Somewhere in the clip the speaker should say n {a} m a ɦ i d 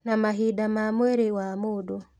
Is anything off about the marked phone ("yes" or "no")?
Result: no